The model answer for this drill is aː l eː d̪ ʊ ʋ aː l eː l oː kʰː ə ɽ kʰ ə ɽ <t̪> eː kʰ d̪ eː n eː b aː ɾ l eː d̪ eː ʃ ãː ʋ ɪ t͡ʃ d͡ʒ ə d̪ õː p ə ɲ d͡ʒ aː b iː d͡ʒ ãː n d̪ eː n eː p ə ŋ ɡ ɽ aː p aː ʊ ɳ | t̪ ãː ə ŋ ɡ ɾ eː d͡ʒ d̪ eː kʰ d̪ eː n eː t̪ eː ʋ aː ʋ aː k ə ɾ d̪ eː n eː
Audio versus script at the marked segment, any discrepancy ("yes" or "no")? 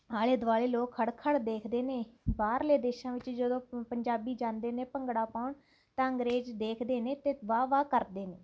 yes